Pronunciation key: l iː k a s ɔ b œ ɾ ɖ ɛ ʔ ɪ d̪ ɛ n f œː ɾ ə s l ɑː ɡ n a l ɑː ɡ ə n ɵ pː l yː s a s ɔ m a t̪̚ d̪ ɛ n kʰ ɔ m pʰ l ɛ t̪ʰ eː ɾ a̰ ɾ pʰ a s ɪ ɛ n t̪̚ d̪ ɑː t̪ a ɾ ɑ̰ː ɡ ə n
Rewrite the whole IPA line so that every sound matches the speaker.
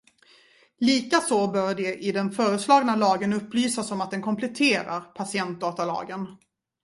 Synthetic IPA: l iː k a s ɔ b œ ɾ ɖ ɛ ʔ ɪ d̪ ɛ n f œː ɾ ə s l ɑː ɡ n a l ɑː ɡ ə n ɵ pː l yː s a s ɔ m a t̪̚ d̪ ɛ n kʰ ɔ m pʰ l ɛ t̪ʰ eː ɾ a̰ ɾ pʰ a s ɪ ɛ n t̪̚ d̪ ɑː t̪ a l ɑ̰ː ɡ ə n